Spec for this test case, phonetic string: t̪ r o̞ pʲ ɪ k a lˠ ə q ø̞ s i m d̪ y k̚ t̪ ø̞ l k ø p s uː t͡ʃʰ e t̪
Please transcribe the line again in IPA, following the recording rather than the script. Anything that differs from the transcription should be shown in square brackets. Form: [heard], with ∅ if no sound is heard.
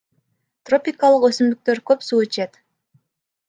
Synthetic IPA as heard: t̪ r o̞ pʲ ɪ k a lˠ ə q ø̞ s [y] m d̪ y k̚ t̪ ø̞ [ɾ] k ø p s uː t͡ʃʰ e t̪